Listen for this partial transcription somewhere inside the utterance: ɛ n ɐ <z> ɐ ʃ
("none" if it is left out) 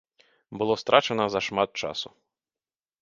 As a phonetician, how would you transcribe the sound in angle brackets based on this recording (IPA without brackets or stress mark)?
z